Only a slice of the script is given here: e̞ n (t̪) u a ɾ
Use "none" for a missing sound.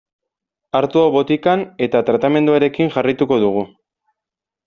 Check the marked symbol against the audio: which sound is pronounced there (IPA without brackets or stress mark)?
d̪